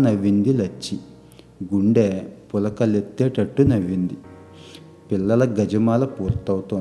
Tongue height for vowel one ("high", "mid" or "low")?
low